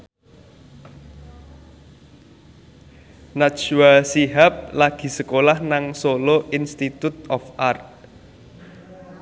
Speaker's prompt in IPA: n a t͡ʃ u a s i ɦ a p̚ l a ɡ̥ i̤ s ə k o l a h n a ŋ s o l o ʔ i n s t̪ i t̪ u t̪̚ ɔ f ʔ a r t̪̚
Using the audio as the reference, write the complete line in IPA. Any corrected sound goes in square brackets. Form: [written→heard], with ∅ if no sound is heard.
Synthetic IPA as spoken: n a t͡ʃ [u→w] a s i ɦ a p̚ l a ɡ̥ i̤ s ə k o l a h n a ŋ s o l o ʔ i n s t̪ i t̪ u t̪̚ ɔ f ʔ a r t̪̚